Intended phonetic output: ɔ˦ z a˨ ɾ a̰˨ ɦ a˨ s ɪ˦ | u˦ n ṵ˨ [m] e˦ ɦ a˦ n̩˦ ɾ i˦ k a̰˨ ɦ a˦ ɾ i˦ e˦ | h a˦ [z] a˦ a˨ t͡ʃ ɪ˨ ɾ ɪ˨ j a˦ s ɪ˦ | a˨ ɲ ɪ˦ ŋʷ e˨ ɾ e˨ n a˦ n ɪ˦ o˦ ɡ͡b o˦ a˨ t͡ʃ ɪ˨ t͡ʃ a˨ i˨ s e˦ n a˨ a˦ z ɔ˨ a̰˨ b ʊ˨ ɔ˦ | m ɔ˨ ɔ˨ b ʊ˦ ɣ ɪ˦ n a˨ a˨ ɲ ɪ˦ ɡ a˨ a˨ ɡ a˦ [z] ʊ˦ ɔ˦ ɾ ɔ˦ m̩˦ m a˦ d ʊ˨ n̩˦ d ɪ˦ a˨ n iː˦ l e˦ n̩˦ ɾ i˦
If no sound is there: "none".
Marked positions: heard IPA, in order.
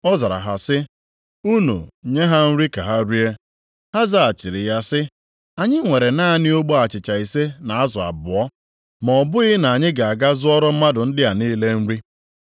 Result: ɲ, z, z

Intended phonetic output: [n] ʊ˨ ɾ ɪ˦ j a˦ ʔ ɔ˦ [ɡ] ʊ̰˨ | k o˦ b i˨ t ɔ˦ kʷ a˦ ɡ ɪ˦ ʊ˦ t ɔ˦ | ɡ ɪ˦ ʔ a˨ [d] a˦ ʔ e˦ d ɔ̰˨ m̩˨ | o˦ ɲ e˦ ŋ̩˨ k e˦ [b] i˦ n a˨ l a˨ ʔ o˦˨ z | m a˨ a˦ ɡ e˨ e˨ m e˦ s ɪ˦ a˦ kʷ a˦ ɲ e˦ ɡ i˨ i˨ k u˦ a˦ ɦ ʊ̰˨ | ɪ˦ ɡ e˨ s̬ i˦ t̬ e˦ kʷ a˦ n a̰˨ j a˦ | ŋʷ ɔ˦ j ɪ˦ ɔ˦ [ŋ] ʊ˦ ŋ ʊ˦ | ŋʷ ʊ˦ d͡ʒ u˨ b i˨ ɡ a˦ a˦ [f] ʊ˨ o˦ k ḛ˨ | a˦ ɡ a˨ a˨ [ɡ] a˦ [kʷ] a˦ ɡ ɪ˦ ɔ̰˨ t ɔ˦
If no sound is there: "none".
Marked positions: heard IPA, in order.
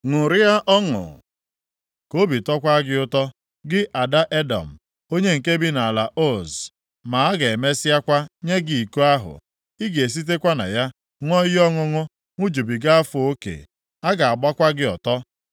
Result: ŋ, ŋ, d, b, ŋ, f, ɡ͡b, kʷ

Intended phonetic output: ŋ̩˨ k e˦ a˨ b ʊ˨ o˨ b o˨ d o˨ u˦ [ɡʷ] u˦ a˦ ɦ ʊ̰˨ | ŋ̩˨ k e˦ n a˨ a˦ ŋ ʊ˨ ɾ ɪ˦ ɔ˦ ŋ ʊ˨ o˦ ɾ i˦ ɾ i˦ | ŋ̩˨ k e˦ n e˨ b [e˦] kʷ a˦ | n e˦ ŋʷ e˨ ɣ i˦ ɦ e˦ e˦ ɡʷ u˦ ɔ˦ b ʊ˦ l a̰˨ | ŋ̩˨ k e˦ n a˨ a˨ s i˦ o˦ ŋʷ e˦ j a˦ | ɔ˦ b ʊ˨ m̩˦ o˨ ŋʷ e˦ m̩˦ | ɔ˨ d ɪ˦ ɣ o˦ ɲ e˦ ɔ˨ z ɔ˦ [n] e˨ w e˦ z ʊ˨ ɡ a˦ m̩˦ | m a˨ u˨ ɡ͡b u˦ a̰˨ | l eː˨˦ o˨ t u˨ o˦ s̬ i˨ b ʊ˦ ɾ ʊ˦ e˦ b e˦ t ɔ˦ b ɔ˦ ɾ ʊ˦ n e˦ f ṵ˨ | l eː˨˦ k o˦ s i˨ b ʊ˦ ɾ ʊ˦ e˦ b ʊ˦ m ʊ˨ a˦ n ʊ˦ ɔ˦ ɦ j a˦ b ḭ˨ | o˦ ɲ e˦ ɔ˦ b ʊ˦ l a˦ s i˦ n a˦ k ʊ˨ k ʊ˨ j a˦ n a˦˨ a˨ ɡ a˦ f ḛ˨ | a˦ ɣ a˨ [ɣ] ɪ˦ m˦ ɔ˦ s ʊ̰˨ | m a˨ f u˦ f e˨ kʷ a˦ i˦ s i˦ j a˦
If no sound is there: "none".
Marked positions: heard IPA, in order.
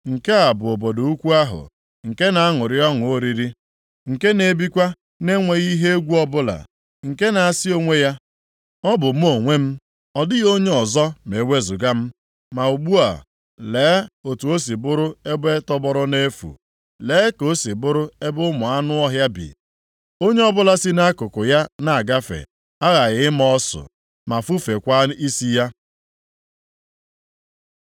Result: kʷ, i˦, m, ɣ

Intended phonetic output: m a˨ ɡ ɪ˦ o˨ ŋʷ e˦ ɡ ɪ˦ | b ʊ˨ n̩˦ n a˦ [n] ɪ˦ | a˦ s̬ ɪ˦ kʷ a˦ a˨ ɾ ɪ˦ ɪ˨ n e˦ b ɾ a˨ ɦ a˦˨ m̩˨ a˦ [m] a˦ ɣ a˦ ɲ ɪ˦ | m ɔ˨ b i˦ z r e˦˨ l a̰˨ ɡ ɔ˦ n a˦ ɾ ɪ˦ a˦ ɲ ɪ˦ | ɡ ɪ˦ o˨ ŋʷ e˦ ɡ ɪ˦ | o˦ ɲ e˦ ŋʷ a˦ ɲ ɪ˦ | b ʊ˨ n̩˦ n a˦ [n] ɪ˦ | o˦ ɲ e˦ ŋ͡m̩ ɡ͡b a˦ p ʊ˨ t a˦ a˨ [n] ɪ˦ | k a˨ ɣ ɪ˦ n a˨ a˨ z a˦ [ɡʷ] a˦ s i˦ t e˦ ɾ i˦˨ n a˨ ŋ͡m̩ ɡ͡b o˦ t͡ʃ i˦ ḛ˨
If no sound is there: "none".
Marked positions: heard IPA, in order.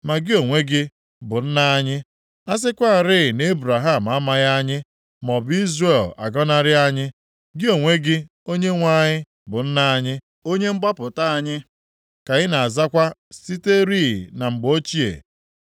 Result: ɲ, m, ɲ, ɲ, kʷ

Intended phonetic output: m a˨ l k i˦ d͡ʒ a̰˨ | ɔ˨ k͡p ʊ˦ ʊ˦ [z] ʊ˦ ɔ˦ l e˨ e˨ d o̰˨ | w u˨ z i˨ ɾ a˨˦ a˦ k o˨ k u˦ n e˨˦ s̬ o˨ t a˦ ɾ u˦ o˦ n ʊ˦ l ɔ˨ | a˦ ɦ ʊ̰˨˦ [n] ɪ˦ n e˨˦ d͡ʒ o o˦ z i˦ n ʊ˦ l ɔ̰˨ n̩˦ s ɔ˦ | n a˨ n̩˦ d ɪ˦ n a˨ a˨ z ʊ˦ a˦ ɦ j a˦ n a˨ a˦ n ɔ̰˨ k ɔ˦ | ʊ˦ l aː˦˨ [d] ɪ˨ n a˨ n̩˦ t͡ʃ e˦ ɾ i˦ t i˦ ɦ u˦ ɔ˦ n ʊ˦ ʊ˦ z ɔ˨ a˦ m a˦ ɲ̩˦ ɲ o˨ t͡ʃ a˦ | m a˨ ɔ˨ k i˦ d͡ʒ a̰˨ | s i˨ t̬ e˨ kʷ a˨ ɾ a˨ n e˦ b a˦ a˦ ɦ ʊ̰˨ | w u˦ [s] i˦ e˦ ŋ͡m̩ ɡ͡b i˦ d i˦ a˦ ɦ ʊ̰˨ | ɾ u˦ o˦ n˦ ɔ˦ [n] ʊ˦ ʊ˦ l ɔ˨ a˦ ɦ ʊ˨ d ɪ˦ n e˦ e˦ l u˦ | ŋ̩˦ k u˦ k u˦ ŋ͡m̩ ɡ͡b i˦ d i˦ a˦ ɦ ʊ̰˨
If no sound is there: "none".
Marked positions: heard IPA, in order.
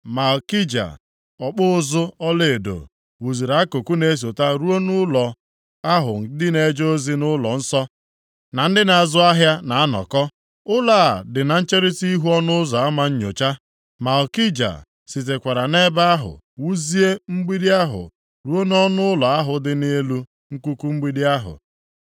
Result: z, d, d, z, n

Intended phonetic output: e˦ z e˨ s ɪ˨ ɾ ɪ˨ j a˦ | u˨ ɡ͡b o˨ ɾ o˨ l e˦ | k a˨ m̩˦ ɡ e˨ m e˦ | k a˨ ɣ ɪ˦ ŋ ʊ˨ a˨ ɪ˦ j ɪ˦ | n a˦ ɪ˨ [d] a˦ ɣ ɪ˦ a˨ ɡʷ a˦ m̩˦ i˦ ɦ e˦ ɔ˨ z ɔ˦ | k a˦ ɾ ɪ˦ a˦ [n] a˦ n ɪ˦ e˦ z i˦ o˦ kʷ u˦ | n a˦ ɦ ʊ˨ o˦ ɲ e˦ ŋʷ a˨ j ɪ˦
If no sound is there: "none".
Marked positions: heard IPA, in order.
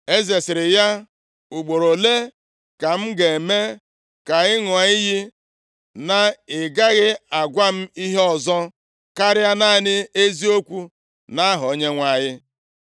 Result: ɡ, n

